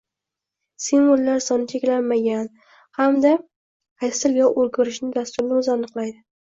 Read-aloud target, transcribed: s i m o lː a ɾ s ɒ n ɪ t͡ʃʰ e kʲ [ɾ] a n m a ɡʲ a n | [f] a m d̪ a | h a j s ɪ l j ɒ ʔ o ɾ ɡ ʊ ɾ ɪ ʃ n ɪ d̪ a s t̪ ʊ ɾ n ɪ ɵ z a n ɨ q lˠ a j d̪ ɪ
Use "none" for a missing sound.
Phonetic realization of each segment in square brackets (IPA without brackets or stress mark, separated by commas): l, h